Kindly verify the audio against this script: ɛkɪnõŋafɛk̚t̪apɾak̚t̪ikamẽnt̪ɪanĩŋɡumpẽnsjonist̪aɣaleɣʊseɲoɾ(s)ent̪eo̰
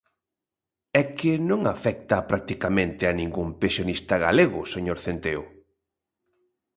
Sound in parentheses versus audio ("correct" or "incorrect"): incorrect